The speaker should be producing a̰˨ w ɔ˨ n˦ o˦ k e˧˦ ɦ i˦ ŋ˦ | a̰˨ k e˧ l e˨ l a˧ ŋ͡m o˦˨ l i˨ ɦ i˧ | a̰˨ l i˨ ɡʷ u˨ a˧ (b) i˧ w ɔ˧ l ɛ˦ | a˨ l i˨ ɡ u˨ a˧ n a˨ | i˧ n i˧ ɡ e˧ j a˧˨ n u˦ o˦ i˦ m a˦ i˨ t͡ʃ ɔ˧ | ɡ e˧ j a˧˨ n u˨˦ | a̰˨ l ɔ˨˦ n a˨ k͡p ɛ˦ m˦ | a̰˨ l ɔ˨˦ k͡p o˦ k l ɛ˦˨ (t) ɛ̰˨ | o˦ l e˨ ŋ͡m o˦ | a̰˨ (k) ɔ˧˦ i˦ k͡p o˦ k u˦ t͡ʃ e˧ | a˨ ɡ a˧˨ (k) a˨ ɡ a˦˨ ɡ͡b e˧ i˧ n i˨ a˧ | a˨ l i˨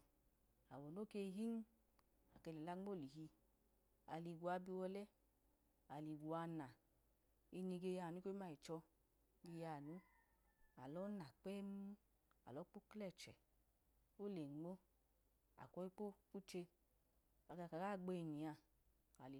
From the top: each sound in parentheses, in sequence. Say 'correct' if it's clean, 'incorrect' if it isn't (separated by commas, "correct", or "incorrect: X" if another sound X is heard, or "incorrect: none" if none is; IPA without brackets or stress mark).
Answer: correct, incorrect: t͡ʃ, correct, correct